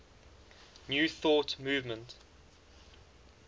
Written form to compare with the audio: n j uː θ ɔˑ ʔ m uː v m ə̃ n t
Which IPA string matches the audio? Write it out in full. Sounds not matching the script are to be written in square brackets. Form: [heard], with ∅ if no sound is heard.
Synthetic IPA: n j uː θ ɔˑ [t] m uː v m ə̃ n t

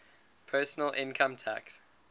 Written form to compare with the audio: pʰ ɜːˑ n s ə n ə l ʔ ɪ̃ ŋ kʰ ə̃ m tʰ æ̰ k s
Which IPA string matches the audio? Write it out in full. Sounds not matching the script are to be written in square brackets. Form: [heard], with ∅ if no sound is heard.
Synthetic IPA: pʰ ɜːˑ [∅] s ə n ə l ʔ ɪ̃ [n] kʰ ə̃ m tʰ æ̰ k s

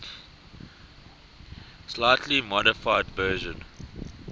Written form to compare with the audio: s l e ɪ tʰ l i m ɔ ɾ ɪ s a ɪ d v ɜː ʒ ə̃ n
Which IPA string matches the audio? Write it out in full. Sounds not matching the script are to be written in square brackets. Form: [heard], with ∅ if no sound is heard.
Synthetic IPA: s l [a] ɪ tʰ l i m ɔ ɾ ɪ [f] a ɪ d v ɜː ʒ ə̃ n

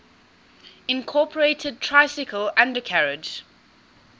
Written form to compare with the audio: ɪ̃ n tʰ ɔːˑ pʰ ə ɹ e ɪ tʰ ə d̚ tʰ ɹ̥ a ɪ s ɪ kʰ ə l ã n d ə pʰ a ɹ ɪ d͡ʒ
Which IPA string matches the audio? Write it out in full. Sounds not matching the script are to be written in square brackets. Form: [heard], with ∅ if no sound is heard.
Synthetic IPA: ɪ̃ n [kʰ] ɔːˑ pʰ ə ɹ e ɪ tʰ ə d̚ tʰ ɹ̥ a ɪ s ɪ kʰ ə l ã n d ə [kʰ] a ɹ ɪ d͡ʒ

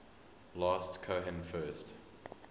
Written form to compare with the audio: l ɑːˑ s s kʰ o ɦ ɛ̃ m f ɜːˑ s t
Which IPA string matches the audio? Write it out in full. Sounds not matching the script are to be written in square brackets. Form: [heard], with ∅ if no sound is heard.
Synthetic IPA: l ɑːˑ s [t] kʰ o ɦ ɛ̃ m f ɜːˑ s t

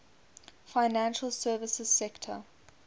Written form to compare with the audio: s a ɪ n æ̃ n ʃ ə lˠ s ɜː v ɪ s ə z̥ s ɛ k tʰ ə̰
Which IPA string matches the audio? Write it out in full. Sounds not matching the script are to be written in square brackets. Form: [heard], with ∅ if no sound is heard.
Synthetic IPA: [f] a ɪ n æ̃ n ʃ ə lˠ s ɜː v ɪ s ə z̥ s ɛ k tʰ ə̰

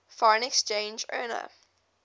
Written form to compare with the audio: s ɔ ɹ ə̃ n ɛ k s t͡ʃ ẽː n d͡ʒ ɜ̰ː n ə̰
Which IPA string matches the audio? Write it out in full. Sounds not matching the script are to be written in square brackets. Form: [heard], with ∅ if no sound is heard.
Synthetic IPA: [f] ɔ ɹ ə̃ n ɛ k s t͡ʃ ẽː n d͡ʒ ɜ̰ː n ə̰

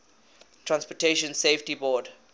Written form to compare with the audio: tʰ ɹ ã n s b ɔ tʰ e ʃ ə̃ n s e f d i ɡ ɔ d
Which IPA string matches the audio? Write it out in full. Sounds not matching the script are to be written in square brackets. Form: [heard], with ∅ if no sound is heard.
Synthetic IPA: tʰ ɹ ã n s [p] ɔ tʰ e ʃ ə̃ n s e f [t] i [b] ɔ d

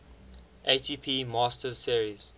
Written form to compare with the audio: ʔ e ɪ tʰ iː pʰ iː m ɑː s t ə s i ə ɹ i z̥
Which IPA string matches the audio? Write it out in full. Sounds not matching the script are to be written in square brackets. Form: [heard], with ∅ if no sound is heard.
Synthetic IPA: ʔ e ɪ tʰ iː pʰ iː m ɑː s t ə s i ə ɹ i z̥

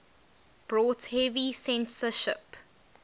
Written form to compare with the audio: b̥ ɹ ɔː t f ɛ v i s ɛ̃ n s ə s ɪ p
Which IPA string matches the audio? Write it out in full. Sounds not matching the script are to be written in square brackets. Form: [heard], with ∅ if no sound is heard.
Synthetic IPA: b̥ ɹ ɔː t [h] ɛ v i s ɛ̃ n s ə [ʃ] ɪ p

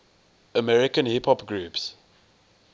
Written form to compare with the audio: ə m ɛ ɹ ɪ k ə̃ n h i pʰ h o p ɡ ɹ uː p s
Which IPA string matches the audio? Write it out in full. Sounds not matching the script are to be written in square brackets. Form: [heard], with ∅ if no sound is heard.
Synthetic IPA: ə m ɛ ɹ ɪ k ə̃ n h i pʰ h [ɔ] p ɡ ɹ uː p s

